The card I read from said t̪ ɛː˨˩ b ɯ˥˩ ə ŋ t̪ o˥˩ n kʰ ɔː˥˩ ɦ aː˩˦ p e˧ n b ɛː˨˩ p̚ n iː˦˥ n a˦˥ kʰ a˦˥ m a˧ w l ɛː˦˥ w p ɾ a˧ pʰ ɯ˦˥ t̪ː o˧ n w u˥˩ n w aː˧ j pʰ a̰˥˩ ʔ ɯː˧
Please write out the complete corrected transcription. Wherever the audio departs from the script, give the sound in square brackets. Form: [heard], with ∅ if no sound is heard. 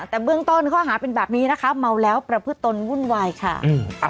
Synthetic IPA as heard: t̪ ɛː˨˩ b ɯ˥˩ ə ŋ t̪ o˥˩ n kʰ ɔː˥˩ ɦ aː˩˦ p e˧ n b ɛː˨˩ p̚ n iː˦˥ n a˦˥ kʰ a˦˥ m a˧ w l ɛː˦˥ w p ɾ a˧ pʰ ɯ˦˥ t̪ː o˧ n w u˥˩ n w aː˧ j [kʰ] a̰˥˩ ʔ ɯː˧